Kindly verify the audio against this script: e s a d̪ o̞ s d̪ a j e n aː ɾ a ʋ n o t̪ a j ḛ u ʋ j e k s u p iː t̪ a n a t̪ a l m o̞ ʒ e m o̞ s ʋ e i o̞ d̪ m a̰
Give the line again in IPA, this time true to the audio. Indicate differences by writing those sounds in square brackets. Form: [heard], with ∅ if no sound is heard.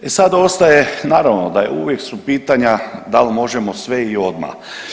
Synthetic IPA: e s a d̪ o̞ s [t̪] a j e n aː ɾ a ʋ n o [d̪] a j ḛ u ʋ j e k s u p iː t̪ a [ɲ] a [d̪] a l m o̞ ʒ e m o̞ s ʋ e i o̞ d̪ m a̰